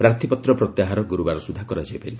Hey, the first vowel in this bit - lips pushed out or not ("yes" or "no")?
no